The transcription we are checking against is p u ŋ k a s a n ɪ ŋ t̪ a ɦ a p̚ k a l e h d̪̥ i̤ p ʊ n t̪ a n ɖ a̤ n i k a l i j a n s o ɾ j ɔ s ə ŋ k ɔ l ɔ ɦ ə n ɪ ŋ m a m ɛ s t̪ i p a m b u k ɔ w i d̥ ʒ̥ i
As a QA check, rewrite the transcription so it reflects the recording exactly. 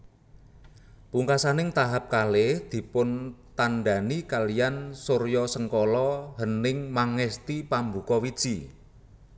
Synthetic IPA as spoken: p u ŋ k a s a n ɪ ŋ t̪ a ɦ a p̚ k a l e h d̪̥ i̤ p ʊ n t̪ a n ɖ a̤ n i k a l i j a n s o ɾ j ɔ s ə ŋ k ɔ l ɔ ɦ ə n ɪ ŋ m a ŋ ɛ s t̪ i p a m b u k ɔ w i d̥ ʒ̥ i